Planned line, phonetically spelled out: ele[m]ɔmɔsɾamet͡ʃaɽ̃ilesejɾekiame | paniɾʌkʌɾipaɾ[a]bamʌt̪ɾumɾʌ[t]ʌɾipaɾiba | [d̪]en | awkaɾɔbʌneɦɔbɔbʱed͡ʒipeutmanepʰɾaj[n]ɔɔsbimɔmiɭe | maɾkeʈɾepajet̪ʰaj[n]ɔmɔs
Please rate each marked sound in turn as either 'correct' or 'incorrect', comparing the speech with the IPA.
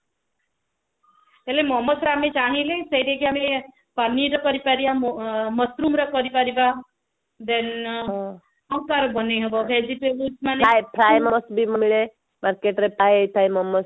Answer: correct, incorrect, incorrect, correct, incorrect, incorrect

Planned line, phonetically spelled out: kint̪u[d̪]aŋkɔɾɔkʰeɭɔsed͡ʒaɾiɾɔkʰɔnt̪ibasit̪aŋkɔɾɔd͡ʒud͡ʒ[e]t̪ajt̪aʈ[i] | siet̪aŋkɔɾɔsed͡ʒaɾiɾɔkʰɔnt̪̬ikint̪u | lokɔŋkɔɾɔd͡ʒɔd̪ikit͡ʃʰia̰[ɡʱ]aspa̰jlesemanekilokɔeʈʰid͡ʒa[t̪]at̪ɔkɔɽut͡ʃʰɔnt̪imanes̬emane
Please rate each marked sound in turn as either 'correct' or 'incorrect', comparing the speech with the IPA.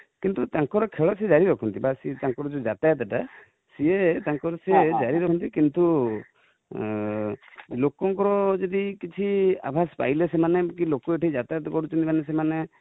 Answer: incorrect, incorrect, incorrect, incorrect, correct

